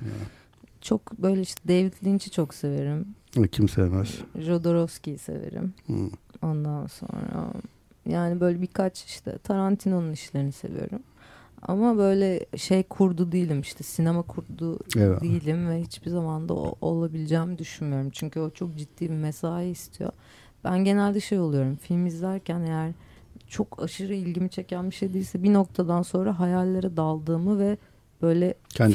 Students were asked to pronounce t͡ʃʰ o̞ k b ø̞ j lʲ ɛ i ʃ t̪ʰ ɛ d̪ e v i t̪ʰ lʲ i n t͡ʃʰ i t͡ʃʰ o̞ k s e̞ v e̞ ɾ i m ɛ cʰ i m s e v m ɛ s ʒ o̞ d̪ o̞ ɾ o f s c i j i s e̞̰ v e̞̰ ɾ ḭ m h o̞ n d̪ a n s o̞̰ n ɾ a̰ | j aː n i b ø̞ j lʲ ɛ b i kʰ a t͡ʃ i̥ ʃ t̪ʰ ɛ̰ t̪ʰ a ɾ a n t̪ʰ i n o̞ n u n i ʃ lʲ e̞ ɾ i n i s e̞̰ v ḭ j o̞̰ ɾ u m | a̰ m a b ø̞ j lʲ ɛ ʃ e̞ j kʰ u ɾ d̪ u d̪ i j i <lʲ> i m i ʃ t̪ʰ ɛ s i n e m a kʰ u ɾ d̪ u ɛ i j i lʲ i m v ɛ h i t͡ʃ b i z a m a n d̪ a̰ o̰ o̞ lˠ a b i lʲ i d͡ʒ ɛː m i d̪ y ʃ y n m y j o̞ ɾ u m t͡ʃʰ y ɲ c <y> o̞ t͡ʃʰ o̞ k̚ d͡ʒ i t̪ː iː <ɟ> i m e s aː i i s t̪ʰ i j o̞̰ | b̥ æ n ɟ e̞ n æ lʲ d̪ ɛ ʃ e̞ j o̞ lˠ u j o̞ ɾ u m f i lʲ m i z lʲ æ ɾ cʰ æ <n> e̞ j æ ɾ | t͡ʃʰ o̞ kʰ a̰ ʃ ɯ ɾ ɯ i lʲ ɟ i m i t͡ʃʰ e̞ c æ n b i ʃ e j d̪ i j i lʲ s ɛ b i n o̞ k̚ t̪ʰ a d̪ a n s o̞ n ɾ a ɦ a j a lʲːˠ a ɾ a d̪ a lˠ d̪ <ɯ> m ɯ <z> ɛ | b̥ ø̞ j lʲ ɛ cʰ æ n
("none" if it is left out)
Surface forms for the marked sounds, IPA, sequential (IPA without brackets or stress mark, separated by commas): lʲ, y, b, n, ɯː, v